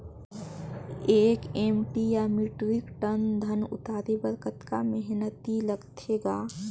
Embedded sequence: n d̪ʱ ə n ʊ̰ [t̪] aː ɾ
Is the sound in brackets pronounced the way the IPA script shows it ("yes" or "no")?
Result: yes